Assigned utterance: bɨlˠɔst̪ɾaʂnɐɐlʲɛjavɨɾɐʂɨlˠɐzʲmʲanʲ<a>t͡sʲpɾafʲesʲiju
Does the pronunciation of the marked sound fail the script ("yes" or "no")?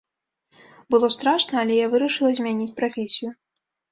yes